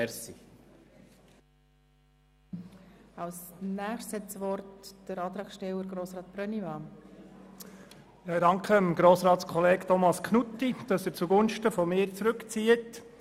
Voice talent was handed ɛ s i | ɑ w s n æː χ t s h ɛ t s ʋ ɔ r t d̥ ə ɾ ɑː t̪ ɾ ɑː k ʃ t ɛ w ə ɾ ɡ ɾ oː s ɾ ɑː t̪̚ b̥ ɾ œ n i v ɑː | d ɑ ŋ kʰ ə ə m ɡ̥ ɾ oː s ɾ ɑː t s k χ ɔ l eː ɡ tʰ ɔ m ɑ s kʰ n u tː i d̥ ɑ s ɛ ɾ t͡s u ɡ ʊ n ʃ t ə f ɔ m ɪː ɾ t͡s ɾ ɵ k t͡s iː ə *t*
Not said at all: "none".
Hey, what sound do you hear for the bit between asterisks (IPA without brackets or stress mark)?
t